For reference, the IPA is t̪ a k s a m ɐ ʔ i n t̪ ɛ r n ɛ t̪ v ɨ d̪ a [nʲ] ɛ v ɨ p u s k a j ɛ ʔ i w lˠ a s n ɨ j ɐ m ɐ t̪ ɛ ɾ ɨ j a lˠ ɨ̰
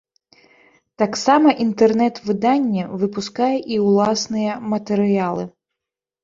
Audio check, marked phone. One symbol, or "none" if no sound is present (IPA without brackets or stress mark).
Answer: nʲː